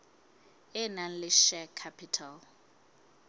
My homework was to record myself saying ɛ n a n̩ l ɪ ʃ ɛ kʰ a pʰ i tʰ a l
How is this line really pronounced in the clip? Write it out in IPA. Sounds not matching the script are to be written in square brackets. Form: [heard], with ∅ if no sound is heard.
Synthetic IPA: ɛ n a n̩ l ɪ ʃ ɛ kʰ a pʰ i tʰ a l